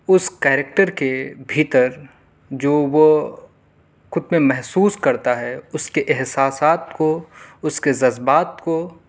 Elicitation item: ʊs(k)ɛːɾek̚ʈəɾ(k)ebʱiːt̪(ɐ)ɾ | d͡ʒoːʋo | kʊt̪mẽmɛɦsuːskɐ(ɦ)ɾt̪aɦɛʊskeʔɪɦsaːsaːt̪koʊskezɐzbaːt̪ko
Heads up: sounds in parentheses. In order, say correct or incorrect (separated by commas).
correct, correct, incorrect, incorrect